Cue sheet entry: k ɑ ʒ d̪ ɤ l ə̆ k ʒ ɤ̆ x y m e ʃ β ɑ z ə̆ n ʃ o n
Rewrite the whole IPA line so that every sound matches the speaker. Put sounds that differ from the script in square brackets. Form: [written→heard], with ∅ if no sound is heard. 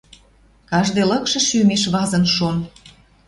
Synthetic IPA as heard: k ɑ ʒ d̪ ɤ l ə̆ k [ʒ→ʃ] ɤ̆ [x→ʃ] y m e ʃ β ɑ z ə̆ n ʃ o n

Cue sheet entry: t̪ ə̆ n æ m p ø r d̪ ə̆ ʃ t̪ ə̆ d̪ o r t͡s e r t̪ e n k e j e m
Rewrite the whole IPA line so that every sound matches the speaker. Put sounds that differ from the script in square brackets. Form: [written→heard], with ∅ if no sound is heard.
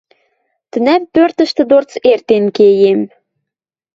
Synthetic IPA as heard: t̪ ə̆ n æ m p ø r [d̪→t̪] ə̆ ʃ t̪ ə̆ d̪ o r t͡s e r t̪ e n k e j e m

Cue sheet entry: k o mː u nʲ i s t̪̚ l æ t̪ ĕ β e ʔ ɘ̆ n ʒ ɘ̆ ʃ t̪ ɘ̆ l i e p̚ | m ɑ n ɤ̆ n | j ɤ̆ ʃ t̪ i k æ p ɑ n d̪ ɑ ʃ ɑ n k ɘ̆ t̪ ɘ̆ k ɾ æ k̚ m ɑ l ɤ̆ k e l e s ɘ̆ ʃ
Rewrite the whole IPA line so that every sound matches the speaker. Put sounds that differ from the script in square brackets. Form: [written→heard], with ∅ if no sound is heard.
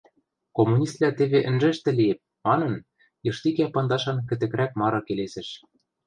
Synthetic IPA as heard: k o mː u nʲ i s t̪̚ l æ t̪ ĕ β e ʔ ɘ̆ n ʒ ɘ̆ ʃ t̪ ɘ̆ l i e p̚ | m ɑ n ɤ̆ n | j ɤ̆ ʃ t̪ i k æ p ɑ n d̪ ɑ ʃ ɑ n k ɘ̆ t̪ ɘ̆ k ɾ æ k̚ m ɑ [l→ɾ] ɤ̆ k e l e s ɘ̆ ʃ

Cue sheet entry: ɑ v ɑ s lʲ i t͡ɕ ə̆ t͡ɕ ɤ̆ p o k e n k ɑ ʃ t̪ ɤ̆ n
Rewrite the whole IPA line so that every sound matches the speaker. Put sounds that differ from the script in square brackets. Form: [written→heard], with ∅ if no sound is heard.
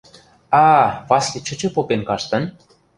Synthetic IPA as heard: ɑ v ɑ s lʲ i t͡ɕ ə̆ t͡ɕ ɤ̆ p o [k→p] e n k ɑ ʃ t̪ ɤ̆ n

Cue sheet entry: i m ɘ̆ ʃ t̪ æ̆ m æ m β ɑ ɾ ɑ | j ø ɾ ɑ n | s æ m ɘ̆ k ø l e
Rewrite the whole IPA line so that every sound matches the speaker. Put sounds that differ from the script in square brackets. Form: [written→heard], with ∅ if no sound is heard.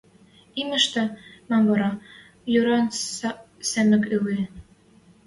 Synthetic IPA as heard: i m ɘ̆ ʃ t̪ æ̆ m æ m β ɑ ɾ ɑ | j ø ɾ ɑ n | s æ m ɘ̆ k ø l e

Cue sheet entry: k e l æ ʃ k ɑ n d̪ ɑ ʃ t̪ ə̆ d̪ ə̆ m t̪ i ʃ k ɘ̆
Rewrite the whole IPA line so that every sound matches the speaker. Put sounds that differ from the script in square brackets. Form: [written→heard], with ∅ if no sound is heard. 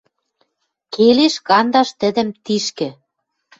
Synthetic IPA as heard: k e l [æ→e] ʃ k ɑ n d̪ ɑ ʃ t̪ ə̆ d̪ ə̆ m t̪ i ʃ k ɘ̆

